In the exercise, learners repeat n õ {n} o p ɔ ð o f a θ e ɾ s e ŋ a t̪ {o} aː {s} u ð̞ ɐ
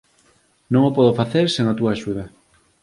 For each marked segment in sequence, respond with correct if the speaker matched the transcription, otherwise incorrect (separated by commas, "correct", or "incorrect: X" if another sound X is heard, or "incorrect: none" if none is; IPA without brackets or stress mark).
incorrect: ŋ, incorrect: u, incorrect: ʃ